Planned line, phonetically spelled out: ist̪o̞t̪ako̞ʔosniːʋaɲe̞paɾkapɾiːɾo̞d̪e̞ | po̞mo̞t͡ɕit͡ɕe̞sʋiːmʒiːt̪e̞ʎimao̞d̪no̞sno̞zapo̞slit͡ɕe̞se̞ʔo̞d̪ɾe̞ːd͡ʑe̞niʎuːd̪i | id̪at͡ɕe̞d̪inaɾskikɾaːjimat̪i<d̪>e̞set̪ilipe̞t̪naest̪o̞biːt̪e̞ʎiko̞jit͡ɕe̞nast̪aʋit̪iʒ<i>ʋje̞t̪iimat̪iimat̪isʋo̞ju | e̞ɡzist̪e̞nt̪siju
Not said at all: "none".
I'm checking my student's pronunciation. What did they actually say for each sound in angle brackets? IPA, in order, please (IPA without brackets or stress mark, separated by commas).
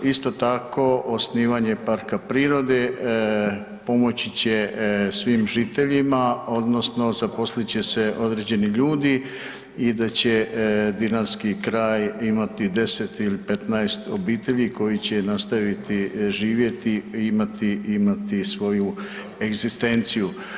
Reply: d̪, iː